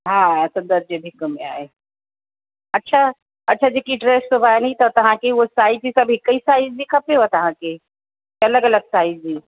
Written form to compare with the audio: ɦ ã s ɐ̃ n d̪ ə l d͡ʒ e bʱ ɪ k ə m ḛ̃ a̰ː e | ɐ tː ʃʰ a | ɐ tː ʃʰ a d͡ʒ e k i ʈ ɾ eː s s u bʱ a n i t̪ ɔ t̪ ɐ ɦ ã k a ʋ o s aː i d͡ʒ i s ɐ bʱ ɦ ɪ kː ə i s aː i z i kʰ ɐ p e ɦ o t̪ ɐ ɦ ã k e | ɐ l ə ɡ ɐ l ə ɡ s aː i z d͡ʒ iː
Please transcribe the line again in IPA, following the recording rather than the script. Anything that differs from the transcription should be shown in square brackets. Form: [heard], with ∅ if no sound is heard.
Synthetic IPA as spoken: ɦ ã s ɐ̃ n d̪ ə [ɾ] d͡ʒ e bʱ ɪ k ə m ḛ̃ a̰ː e | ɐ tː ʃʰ a | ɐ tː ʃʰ a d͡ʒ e k i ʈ ɾ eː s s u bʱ a n i t̪ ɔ t̪ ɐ ɦ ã k [e] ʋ o s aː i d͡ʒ i s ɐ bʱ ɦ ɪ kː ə i s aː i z i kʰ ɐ p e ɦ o t̪ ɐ ɦ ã k e | ɐ l ə ɡ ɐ l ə ɡ s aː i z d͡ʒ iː